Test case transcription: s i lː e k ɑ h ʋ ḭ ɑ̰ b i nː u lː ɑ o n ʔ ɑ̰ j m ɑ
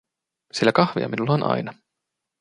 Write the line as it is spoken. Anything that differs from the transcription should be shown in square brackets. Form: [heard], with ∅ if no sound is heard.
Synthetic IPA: s i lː [æ] k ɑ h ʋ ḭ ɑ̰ [m] i [n] u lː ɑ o n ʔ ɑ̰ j [n] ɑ